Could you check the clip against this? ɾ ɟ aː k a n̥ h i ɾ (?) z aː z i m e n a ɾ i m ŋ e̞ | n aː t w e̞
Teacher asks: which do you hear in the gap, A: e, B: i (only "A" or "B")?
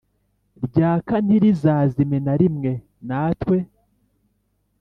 B